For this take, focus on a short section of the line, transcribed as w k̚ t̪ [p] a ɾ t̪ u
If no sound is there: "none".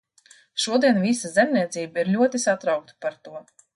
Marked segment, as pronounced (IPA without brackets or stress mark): p